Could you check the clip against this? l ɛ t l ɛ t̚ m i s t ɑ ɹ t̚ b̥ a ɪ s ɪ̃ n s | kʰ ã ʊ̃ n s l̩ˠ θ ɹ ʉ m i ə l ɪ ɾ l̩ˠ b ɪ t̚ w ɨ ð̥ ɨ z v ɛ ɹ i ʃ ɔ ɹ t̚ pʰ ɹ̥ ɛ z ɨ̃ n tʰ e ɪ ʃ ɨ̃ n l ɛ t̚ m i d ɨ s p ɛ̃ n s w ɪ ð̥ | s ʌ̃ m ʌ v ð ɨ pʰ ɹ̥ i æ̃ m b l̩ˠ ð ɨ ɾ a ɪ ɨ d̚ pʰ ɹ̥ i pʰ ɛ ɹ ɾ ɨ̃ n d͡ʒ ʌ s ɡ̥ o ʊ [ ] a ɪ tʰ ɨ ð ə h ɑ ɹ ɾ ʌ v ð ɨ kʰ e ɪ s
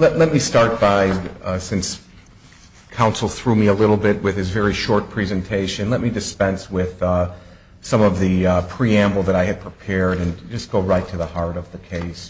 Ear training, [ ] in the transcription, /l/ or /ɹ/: ɹ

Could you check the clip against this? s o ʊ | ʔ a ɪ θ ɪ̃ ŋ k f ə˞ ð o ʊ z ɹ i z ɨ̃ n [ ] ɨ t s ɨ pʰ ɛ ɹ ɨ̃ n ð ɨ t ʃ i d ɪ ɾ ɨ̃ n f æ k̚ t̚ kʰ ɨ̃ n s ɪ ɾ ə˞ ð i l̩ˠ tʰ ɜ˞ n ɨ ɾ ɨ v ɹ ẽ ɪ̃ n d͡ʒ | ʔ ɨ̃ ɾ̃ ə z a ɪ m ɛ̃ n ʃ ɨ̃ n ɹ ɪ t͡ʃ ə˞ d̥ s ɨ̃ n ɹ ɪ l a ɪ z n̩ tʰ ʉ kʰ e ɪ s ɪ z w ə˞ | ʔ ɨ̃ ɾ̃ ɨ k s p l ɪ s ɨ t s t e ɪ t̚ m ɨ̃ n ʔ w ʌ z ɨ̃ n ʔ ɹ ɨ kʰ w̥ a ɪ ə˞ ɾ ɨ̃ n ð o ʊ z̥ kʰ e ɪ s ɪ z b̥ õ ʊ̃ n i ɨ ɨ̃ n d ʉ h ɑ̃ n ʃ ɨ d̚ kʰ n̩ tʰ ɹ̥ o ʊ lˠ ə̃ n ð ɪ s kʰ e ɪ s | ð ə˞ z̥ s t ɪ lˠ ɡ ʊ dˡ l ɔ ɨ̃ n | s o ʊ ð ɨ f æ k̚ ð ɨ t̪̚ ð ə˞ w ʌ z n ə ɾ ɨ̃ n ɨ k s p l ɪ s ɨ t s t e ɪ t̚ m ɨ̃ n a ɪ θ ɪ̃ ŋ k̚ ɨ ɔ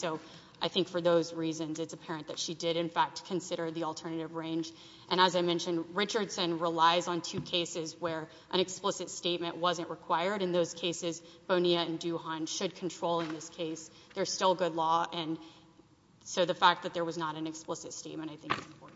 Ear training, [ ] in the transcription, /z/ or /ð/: z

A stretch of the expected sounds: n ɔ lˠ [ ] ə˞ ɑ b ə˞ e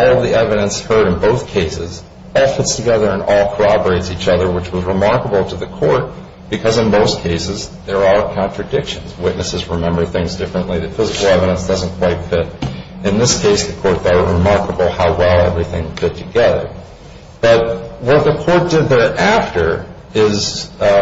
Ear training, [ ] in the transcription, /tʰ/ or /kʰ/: kʰ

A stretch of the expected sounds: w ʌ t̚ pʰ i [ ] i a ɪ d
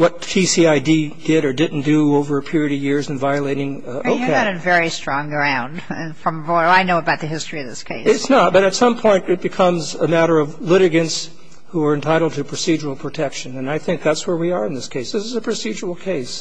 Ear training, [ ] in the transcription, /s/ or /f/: s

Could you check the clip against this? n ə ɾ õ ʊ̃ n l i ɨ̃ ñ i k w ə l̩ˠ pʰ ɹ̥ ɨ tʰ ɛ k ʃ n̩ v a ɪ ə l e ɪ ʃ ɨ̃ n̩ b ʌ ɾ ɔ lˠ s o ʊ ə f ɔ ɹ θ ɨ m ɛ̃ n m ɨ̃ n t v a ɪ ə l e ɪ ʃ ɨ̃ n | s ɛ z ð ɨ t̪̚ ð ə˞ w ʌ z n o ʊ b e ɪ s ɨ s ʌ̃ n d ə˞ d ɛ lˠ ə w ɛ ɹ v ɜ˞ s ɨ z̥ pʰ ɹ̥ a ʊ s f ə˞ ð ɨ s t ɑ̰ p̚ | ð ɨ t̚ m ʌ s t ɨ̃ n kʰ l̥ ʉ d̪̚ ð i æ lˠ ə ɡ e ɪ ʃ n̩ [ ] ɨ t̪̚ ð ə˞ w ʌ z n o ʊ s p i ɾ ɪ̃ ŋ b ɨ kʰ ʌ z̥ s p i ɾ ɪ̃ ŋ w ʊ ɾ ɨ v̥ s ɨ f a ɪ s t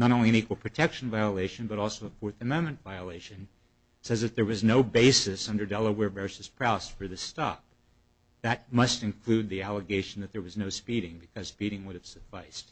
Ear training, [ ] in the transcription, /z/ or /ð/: ð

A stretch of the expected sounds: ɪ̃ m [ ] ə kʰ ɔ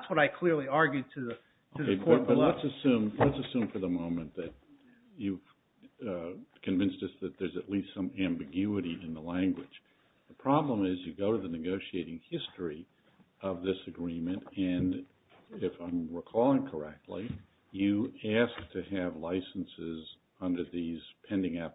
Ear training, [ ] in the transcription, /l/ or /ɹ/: ɹ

